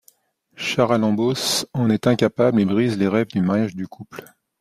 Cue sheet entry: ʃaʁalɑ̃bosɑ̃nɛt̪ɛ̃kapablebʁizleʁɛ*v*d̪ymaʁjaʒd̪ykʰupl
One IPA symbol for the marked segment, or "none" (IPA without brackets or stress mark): v